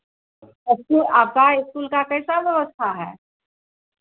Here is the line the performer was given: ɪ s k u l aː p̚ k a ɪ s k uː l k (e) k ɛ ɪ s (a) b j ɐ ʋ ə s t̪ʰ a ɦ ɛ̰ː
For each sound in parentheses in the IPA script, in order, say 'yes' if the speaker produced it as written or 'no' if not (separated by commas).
no, yes